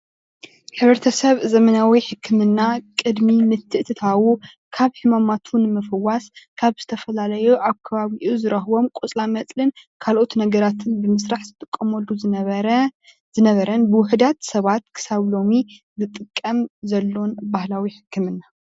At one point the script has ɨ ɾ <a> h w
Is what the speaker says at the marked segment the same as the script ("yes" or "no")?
no